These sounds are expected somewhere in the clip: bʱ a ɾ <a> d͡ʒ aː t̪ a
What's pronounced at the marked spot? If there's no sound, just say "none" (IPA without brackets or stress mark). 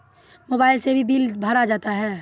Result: a